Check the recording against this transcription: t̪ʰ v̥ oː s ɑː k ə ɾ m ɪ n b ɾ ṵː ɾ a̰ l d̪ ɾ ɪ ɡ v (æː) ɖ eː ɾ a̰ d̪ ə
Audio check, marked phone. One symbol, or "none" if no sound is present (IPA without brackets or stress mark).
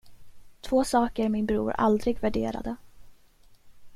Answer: æ